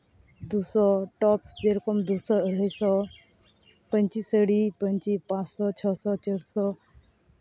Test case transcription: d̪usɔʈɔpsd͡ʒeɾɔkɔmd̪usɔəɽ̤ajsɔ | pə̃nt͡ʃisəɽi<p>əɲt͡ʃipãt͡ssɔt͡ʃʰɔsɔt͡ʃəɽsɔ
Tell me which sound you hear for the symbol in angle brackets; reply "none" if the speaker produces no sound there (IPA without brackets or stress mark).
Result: p